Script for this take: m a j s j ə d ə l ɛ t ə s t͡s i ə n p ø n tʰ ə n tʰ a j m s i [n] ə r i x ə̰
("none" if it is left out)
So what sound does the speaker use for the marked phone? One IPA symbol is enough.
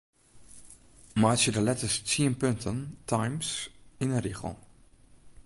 n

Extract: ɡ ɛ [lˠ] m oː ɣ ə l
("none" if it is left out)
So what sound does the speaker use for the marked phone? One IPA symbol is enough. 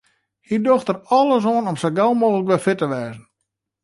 lˠ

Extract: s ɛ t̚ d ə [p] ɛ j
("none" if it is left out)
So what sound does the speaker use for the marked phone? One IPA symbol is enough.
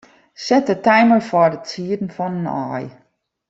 t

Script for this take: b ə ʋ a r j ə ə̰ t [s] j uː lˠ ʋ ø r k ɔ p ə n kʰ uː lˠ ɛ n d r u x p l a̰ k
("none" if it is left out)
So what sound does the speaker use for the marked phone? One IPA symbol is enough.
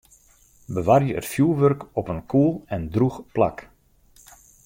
f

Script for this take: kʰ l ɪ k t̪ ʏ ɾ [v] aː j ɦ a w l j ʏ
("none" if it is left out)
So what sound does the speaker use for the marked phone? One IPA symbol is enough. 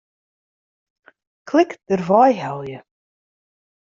v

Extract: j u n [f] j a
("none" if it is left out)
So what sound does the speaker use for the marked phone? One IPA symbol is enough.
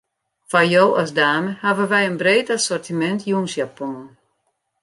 s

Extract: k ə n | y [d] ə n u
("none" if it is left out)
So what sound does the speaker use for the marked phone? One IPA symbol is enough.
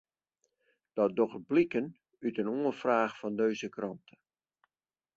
t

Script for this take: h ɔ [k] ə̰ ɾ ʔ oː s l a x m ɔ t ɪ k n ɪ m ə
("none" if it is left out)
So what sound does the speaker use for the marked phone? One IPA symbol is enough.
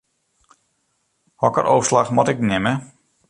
k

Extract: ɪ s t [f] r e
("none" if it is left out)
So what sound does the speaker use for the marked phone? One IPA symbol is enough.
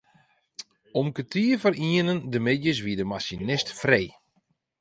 f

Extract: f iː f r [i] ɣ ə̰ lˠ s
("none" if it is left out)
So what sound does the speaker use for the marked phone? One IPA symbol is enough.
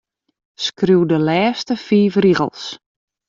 i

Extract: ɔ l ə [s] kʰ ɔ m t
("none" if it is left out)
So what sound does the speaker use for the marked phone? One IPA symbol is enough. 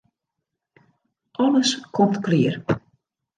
s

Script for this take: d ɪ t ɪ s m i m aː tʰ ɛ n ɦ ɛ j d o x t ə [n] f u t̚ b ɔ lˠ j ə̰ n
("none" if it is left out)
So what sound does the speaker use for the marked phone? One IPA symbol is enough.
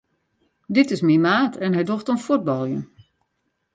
n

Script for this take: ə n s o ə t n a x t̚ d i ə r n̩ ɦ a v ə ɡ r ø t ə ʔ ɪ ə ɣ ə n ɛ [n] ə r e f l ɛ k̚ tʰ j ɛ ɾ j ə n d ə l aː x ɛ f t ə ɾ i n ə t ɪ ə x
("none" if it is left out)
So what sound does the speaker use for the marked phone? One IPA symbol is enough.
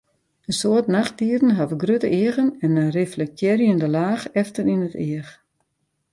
n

